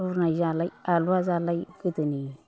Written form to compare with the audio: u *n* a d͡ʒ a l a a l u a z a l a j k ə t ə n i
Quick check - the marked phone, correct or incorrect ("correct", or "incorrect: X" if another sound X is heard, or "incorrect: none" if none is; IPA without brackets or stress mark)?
correct